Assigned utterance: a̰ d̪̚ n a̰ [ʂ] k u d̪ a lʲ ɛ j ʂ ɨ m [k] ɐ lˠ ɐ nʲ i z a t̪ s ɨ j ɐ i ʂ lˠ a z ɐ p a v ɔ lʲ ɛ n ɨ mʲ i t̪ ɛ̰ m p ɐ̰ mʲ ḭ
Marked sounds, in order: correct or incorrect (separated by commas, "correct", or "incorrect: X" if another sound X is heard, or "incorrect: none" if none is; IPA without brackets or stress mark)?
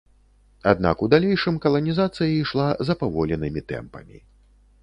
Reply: incorrect: none, correct